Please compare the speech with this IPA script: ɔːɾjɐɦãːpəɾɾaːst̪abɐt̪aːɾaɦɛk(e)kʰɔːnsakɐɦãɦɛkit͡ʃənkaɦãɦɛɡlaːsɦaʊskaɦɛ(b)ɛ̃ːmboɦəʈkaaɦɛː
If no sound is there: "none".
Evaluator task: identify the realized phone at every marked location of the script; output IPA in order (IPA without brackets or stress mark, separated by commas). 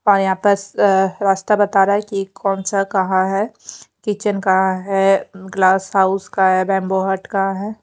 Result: i, b